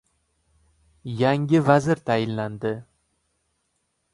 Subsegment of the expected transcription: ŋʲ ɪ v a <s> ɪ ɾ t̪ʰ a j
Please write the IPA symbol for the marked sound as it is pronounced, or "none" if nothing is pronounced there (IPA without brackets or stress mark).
z